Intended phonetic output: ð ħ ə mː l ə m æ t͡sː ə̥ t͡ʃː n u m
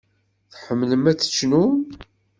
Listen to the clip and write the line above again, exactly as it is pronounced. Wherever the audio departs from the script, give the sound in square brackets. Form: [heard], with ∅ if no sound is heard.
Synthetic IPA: [θ] ħ ə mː l ə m æ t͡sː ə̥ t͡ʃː n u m